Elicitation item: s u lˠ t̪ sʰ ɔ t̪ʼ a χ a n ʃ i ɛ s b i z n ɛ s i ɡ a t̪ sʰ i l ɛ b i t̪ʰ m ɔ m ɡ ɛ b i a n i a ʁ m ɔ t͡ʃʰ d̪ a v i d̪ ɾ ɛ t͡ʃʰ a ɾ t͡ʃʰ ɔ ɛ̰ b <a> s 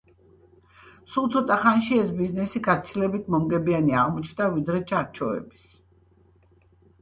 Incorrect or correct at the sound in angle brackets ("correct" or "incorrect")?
incorrect